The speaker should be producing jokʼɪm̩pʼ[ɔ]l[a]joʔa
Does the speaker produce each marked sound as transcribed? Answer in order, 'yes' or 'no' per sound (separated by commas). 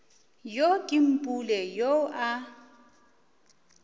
no, no